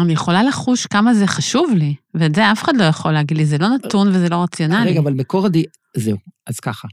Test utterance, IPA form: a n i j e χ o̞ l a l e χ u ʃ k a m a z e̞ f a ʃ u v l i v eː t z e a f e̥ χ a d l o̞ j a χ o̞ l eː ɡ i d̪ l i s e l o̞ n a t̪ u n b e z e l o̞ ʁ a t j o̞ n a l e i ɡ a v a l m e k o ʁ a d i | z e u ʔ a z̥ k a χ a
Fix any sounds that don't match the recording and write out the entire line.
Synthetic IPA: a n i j e χ o̞ l a l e χ u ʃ k a m a z e̞ χ a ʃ u v l i v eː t z e a f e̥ χ a d l o̞ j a χ o̞ l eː ɡ i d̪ l i z e l o̞ n a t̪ u n v e z e l o̞ ʁ a t͡s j o̞ n a l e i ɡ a v a l m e k o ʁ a d i | z e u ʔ a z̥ k a χ a